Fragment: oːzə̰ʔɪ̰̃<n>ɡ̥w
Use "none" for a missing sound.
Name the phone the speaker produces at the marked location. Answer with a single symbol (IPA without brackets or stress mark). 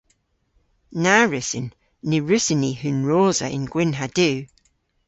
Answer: n